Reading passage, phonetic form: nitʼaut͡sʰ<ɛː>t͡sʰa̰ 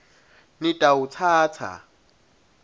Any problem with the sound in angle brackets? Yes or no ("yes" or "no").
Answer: yes